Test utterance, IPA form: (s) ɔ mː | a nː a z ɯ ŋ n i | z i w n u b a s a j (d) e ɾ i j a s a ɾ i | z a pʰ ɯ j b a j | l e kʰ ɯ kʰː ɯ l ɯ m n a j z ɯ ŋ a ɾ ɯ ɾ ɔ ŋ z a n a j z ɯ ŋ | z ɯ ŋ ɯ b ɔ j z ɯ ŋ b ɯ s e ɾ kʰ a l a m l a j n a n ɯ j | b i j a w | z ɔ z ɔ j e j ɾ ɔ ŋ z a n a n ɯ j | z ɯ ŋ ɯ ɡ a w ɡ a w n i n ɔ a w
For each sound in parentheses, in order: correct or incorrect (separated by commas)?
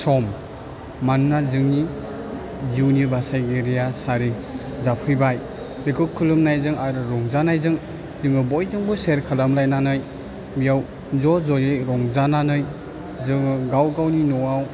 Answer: correct, incorrect